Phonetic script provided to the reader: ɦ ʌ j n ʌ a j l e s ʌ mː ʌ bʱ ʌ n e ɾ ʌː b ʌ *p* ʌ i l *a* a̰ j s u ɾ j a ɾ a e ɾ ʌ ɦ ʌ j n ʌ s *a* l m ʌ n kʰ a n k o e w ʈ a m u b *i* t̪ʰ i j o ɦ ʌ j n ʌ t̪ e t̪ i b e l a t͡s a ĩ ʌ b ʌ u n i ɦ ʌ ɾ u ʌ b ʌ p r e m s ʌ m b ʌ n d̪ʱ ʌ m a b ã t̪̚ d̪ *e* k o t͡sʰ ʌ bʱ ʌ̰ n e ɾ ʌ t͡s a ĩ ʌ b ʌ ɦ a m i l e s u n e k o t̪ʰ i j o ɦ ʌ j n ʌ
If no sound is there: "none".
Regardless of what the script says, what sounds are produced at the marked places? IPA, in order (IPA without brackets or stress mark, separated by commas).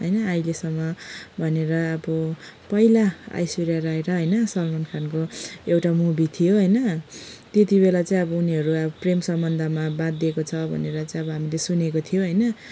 p, a, ʌ, i, e